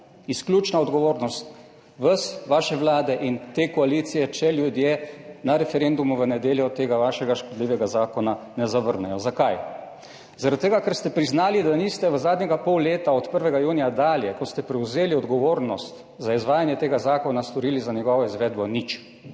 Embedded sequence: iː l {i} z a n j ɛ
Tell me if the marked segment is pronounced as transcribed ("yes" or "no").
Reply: yes